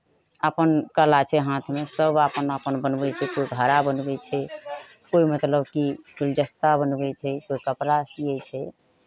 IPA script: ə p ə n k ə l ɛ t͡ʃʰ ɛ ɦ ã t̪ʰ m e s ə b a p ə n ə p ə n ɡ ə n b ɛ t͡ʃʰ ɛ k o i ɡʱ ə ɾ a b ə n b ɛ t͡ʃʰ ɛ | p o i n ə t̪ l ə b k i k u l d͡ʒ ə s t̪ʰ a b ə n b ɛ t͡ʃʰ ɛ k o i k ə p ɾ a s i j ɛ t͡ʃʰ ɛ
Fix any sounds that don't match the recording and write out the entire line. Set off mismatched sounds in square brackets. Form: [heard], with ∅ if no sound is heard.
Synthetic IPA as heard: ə p ə n k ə l [a] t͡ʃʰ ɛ ɦ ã t̪ʰ m e s ə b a p ə n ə p ə n [b] ə n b ɛ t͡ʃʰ ɛ k o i ɡʱ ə ɾ a b ə n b ɛ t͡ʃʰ ɛ | [k] o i [m] ə t̪ l ə b k i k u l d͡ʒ ə s [t̪] a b ə n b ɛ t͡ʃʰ ɛ k o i k ə p ɾ a s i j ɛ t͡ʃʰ ɛ